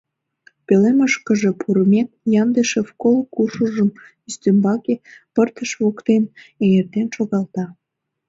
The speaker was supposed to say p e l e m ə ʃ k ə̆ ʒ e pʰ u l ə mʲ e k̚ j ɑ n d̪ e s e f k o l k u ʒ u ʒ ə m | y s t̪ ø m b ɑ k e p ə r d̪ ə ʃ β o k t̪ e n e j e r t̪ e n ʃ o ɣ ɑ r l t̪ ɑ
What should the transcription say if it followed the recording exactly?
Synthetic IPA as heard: p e l e m ə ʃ k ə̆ ʒ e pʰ u ɾ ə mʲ e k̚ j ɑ n d̪ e ʃ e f k o l k u ʃ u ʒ ə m | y s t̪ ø m b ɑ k e p ə r t̪ ə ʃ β o k t̪ e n e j e r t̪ e n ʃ o ɣ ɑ l t̪ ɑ